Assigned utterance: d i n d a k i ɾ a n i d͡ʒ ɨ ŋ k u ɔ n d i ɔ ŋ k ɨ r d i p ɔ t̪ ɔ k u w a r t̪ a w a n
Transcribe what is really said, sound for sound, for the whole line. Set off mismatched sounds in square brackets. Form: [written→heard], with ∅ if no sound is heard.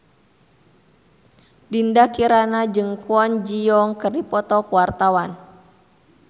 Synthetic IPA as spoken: d i n d a k i ɾ a n [i→a] d͡ʒ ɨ ŋ k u ɔ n [d→d͡ʒ] i ɔ ŋ k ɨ r d i p ɔ t̪ ɔ k u w a r t̪ a w a n